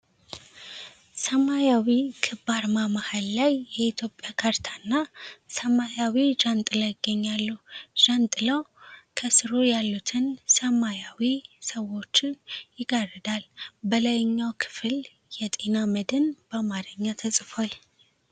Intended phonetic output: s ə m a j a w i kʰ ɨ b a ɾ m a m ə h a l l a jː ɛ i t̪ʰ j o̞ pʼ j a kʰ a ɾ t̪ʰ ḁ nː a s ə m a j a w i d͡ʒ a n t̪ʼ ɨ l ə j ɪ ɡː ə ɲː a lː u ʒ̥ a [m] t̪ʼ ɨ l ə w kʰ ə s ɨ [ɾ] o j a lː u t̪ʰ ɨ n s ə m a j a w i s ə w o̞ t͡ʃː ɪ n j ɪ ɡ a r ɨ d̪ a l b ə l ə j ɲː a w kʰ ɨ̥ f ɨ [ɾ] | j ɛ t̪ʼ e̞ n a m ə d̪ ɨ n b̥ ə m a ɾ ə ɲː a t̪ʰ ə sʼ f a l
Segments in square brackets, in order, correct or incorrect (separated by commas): incorrect, correct, incorrect